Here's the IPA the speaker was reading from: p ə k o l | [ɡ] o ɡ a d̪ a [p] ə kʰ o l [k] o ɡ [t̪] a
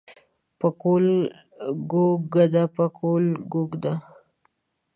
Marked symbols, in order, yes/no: yes, yes, no, no

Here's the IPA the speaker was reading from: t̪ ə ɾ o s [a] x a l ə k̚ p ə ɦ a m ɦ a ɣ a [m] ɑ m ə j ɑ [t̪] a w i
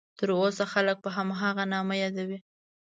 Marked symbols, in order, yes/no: yes, no, no

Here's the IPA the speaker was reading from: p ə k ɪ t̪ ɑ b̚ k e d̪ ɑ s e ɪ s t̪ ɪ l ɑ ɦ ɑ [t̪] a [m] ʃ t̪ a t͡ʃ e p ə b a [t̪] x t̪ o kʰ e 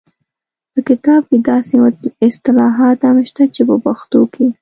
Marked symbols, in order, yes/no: yes, yes, no

